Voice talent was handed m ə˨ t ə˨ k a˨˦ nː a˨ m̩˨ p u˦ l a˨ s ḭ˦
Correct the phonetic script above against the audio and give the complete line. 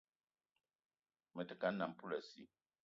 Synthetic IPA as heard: m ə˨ t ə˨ k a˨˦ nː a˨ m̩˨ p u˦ l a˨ s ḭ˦

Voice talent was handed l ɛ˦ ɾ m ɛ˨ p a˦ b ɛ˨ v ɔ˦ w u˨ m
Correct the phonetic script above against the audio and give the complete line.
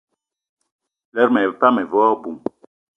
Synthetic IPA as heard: l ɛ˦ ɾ m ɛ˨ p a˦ m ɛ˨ v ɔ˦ b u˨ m

